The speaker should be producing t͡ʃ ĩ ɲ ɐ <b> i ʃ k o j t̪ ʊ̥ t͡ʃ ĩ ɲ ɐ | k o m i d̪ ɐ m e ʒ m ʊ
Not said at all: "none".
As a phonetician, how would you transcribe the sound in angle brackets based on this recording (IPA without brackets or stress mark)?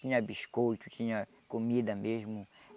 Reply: b